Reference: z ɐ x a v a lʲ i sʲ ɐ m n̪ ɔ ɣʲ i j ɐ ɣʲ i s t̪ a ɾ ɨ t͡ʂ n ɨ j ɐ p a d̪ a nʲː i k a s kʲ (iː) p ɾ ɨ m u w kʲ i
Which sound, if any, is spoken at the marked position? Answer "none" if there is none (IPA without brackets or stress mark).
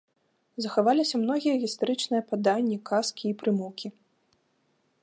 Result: iː